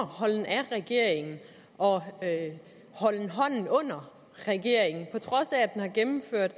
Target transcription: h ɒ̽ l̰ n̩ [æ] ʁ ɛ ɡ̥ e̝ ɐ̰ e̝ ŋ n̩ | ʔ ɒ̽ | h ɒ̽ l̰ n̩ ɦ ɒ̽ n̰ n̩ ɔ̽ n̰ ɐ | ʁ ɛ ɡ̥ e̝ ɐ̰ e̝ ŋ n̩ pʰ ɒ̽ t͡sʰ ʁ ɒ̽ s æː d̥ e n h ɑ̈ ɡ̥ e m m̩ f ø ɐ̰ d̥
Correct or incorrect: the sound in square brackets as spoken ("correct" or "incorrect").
correct